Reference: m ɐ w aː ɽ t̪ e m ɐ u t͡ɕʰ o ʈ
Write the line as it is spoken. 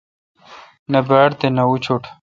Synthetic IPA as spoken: n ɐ b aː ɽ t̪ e n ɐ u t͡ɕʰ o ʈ